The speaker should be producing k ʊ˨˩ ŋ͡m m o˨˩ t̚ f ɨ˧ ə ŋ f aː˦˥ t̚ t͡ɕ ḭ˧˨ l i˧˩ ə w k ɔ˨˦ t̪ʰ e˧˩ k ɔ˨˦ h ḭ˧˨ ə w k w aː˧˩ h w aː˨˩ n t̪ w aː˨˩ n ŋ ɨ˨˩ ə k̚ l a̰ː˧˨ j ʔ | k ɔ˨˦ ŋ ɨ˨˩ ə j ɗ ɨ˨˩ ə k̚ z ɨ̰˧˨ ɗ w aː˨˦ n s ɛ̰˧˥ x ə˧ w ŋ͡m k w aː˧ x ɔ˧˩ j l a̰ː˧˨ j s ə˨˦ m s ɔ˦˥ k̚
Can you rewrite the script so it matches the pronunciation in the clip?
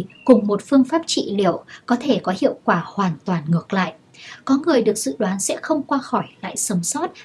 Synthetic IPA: k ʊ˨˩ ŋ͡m m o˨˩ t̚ f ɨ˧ ə ŋ f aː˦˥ p̚ t͡ɕ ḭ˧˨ l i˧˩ ə w k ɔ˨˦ t̪ʰ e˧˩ k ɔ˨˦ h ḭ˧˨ ə w k w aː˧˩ h w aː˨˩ n t̪ w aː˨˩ n ŋ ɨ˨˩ ə k̚ l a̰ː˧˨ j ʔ | k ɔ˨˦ ŋ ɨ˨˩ ə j ɗ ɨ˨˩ ə k̚ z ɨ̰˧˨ ɗ w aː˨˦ n s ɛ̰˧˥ x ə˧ w ŋ͡m k w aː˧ x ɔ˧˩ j l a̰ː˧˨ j s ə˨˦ m s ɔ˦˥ t̚